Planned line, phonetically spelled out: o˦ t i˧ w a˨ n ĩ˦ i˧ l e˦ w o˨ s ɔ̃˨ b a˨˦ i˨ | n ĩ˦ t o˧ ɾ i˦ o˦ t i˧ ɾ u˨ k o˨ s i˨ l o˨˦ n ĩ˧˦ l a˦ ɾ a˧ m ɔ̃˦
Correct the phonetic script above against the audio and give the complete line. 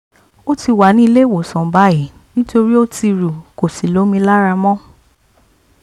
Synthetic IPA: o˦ t i˧ w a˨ n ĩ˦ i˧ l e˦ w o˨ s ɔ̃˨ b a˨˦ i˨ | n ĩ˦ t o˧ ɾ i˦ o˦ t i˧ ɾ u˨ k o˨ s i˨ l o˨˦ m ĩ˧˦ l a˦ ɾ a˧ m ɔ̃˦